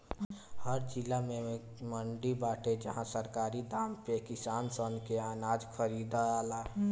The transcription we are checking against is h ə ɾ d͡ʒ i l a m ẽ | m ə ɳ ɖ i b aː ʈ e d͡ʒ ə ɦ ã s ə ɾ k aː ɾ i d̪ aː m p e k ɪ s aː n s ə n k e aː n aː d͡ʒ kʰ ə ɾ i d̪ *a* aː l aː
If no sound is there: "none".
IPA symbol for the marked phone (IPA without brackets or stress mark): a